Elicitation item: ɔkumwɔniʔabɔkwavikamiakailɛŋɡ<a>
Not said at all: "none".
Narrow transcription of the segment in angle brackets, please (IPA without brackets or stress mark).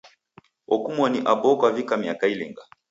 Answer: a